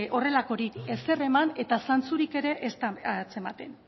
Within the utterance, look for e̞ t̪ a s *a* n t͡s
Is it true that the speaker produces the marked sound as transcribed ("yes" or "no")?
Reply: yes